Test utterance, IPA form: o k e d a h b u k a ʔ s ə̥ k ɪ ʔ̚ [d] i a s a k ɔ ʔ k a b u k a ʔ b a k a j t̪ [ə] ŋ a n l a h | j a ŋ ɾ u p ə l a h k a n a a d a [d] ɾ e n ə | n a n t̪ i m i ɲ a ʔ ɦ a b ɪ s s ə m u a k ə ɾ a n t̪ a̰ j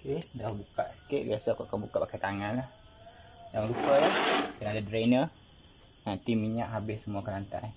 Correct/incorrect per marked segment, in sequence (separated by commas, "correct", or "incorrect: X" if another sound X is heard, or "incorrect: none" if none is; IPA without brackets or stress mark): incorrect: b, incorrect: a, correct